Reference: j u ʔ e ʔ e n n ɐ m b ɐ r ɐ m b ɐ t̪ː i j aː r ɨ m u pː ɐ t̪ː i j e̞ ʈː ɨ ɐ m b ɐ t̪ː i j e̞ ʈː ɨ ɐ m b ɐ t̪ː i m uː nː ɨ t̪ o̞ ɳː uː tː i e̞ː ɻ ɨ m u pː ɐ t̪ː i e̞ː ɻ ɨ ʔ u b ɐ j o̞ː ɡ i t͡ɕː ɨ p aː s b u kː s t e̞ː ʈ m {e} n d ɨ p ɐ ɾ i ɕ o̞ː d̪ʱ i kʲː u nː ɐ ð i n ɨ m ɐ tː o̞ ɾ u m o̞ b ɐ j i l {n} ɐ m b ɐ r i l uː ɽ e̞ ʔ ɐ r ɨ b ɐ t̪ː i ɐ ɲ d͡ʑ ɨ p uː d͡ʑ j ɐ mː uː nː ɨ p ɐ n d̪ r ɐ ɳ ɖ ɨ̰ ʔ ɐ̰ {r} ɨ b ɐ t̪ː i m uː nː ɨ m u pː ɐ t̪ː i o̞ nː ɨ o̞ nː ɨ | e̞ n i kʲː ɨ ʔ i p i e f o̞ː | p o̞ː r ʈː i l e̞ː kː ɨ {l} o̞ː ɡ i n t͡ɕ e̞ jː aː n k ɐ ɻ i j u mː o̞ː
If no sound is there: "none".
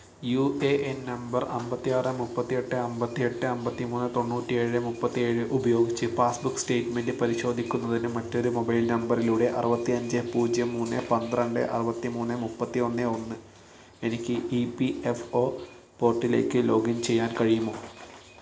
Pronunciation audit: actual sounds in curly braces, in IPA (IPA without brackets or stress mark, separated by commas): e, n, r, l